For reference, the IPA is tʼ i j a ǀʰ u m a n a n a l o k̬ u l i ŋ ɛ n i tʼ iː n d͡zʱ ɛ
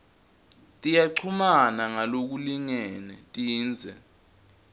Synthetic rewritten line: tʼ i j a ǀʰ u m a n a ŋ a l o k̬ u l i ŋ ɛ n ɛ tʼ iː n d͡zʱ ɛ